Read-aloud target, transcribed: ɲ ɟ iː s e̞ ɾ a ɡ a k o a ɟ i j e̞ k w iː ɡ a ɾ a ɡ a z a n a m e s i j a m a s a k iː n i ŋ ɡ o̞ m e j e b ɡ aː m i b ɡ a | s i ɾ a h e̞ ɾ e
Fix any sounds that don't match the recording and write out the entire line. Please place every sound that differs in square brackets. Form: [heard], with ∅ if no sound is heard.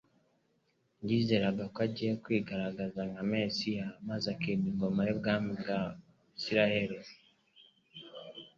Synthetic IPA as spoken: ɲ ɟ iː [z] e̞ ɾ a ɡ a k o a ɟ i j e̞ k w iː ɡ a ɾ a ɡ a z a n a m e s i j a m a [z] a k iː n i ŋ ɡ o̞ m [a] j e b ɡ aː m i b ɡ a | s i ɾ a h e̞ ɾ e